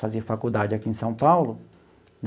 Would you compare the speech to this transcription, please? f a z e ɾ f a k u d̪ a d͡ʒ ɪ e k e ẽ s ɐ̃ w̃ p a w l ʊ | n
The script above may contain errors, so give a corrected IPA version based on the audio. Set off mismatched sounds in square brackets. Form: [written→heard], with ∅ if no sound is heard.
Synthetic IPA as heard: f a z e ɾ f a k u d̪ a d͡ʒ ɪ [e→a] k [e→i] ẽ s ɐ̃ w̃ p a w l ʊ | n